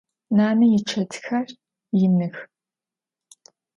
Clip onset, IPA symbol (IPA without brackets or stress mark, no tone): n